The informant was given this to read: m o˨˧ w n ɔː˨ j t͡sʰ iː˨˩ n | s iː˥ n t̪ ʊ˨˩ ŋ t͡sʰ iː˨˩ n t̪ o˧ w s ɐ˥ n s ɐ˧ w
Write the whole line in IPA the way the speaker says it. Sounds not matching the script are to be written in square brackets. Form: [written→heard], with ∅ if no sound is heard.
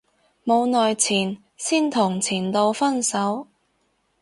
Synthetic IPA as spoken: m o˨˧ w n ɔː˨ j t͡sʰ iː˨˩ n | s iː˥ n [t̪→t̪ʰ] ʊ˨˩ ŋ t͡sʰ iː˨˩ n t̪ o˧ w [s→f] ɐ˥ n s [ɐ˧→ɐ˨˥] w